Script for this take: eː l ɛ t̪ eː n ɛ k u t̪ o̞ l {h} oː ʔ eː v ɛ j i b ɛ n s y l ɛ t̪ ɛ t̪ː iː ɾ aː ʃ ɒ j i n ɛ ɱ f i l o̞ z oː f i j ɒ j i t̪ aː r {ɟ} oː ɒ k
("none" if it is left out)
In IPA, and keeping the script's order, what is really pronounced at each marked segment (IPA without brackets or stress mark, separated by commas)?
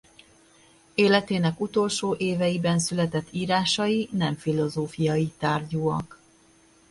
ʃ, ɟ